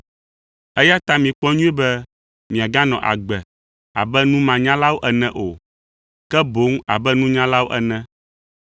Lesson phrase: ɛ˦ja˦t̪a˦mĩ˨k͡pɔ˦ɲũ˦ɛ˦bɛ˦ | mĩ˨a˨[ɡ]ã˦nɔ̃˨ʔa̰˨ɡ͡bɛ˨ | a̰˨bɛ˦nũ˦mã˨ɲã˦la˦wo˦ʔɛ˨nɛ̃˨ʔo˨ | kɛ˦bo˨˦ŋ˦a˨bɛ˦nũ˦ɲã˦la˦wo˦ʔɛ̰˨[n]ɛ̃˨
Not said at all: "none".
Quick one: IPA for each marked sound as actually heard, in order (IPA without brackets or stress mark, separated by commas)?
ɡ, n